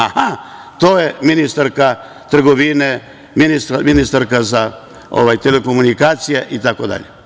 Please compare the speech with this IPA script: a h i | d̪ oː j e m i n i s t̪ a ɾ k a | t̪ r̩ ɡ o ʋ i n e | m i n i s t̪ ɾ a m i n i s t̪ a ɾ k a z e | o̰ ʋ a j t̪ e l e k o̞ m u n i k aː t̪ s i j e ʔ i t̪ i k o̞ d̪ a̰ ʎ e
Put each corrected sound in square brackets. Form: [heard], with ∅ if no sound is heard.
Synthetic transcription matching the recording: a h [a] | [t̪] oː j e m i n i s t̪ a ɾ k a | t̪ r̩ ɡ o ʋ i n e | m i n i s t̪ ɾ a m i n i s t̪ a ɾ k a z [a] | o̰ ʋ a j t̪ e l e k o̞ m u n i k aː t̪ s i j e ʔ i t̪ [a] k o̞ d̪ a̰ ʎ e